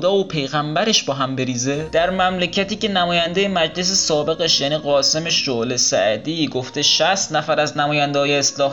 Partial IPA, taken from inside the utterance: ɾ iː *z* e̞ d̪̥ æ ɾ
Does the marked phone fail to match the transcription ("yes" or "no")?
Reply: no